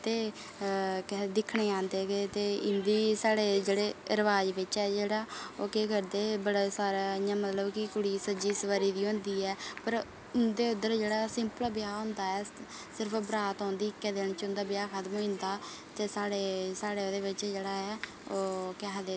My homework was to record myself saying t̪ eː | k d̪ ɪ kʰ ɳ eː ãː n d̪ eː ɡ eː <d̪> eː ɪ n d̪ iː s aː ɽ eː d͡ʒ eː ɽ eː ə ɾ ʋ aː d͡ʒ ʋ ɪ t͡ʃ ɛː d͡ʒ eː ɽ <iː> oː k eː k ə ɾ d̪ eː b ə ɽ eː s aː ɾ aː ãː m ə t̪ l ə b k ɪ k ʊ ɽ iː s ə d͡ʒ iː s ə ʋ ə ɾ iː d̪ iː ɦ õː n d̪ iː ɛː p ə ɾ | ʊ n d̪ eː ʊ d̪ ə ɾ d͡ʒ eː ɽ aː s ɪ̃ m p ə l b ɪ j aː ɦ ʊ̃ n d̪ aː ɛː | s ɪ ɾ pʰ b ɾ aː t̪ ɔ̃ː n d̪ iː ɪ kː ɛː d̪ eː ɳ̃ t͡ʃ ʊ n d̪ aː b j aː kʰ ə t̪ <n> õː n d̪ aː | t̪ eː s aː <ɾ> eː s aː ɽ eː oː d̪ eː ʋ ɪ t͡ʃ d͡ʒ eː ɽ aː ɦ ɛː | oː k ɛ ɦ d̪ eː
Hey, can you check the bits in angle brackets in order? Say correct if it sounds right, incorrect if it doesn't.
incorrect, incorrect, incorrect, incorrect

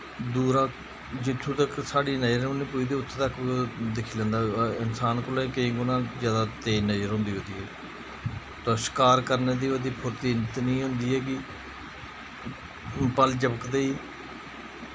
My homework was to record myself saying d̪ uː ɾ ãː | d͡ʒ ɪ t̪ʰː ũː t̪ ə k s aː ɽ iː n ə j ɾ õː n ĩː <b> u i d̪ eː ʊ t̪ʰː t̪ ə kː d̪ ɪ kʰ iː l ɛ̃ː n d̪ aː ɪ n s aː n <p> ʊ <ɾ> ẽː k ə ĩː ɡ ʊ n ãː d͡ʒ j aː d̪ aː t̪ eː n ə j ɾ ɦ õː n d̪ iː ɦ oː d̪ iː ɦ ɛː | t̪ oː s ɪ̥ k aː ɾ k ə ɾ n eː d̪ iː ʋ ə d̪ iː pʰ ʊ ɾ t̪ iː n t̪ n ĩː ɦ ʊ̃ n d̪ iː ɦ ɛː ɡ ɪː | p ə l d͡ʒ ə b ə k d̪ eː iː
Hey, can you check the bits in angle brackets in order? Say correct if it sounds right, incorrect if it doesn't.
incorrect, incorrect, incorrect

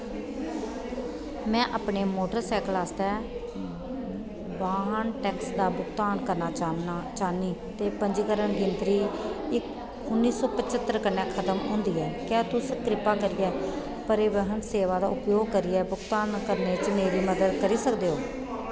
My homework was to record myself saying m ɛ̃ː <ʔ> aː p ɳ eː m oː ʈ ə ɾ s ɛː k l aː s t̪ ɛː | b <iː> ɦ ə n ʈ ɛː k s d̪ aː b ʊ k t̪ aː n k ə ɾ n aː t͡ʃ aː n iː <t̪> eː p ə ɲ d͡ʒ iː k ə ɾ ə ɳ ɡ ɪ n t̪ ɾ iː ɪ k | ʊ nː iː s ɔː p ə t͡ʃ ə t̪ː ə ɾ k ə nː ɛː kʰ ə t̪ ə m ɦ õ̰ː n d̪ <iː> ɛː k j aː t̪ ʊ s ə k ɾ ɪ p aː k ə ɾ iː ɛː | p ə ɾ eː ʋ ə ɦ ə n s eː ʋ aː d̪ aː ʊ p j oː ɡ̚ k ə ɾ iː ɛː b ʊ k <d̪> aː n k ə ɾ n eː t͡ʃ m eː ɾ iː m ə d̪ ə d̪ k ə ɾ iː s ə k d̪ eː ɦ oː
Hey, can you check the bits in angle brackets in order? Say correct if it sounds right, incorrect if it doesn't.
correct, incorrect, correct, correct, incorrect

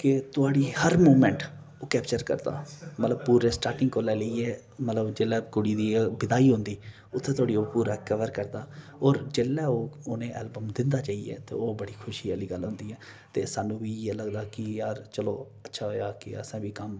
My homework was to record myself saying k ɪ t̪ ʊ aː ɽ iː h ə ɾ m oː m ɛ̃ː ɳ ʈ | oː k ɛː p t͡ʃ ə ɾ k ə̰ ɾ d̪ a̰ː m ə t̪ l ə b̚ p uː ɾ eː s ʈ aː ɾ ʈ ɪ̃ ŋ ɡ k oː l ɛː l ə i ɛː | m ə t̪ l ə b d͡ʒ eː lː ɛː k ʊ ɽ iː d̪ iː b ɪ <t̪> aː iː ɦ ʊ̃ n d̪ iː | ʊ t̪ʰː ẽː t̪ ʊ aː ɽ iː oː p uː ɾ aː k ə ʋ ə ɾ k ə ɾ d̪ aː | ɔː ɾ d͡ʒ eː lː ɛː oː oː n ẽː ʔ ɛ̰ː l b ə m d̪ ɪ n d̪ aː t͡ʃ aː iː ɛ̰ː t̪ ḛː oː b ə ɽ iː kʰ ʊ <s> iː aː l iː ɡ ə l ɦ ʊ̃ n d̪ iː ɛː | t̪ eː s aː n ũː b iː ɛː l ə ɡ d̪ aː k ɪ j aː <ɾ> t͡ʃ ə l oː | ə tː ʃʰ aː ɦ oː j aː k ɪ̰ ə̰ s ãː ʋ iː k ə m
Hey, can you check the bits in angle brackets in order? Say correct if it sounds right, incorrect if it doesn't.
incorrect, incorrect, correct

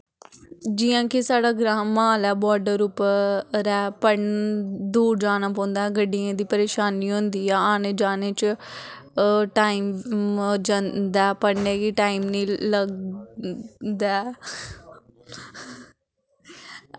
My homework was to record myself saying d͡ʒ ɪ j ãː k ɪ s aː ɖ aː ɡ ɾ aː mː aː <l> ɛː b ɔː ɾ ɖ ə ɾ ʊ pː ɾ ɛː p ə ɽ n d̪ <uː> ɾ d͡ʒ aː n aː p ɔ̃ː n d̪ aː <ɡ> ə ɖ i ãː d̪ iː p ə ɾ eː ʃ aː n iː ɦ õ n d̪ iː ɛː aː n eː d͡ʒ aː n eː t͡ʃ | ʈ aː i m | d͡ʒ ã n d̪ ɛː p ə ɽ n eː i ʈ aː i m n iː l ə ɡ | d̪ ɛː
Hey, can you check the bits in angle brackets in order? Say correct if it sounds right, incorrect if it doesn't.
correct, correct, correct

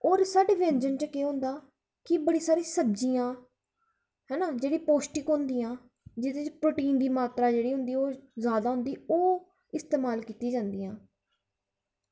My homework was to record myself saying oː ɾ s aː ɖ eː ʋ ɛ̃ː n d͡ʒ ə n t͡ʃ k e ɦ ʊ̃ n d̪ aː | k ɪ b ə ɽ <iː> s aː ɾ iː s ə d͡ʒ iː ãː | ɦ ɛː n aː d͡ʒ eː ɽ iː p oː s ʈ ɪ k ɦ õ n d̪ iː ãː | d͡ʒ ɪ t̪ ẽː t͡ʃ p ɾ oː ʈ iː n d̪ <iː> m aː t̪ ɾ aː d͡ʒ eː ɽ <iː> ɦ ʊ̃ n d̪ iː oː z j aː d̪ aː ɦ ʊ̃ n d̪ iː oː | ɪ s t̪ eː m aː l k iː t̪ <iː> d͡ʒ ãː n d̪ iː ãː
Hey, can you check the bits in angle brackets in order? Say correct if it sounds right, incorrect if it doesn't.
correct, correct, correct, correct

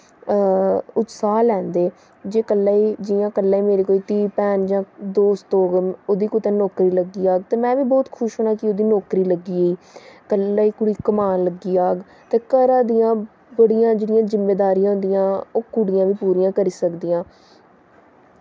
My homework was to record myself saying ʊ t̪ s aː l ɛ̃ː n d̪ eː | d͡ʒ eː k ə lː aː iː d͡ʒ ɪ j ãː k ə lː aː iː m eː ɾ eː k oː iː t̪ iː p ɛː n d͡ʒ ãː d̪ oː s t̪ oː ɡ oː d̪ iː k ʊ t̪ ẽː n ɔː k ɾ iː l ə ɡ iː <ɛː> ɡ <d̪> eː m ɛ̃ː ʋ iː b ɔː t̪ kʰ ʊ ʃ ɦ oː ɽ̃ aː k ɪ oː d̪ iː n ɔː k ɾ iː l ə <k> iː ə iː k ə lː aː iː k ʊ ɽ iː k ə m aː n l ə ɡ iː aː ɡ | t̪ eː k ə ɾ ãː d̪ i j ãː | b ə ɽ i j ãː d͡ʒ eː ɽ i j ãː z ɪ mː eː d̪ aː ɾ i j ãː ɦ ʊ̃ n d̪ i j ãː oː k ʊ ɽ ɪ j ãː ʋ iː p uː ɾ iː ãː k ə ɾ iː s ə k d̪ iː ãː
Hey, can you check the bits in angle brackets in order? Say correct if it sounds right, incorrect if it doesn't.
incorrect, incorrect, incorrect

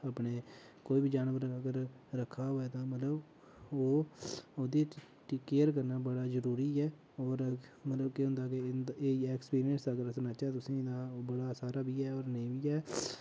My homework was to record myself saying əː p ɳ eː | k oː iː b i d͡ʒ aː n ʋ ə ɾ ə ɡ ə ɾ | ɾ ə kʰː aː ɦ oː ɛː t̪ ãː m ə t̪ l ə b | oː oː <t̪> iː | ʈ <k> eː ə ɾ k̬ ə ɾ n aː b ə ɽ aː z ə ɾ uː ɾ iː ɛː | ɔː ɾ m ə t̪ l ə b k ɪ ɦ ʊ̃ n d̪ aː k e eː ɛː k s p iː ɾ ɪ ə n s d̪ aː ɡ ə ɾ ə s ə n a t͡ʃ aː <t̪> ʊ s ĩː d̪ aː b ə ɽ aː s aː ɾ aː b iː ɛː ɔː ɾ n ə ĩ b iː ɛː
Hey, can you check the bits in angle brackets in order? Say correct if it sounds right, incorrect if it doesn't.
incorrect, correct, correct

